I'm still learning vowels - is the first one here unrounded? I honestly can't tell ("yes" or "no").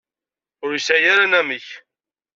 no